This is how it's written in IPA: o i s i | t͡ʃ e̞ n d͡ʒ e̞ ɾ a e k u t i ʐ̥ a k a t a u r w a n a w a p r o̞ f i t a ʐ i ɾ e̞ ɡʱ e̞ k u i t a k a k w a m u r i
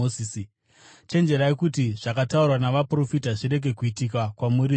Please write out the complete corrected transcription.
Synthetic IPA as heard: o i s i | t͡ʃ e̞ n d͡ʒ e̞ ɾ a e k u t i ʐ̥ a k a t a u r w a n a ʋ a p r o̞ f i t a ʐ i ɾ e̞ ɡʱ e̞ k u i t i k a k w a m u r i